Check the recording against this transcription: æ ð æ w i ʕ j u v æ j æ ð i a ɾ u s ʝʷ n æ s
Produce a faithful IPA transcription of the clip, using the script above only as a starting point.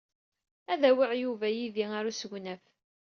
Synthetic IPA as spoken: æ ð æ w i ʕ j u v æ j i ð i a ɾ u s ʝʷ n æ f